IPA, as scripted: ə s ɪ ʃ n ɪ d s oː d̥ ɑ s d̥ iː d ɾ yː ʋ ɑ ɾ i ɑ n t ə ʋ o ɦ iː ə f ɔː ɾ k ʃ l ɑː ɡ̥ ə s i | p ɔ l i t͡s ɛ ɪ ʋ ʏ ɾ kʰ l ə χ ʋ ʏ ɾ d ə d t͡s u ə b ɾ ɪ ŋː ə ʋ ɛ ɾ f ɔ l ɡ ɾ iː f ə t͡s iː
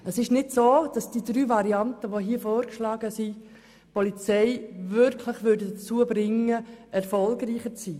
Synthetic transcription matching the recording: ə s ɪ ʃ n ɪ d s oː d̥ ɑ s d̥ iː d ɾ yː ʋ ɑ ɾ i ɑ n t ə ʋ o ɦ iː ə f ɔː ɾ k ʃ l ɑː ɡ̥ ə s i | p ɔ l i t͡s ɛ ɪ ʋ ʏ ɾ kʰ l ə χ ʋ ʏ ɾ d ə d t͡s u ə b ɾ ɪ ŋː ə ɛ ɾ f ɔ l ɡ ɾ iː χ ə t͡s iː